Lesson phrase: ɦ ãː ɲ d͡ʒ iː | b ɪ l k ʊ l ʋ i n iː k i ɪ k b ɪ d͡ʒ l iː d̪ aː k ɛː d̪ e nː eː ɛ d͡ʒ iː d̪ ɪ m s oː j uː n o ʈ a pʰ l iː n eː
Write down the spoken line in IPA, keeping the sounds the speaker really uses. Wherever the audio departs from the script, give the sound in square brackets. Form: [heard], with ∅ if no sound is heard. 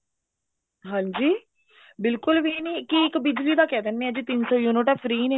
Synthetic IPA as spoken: ɦ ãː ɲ d͡ʒ iː | b ɪ l k ʊ l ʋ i n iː k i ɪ k b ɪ d͡ʒ l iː d̪ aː k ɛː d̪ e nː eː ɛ d͡ʒ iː [t̪] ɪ [n] s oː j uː n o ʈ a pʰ [ɾ] iː n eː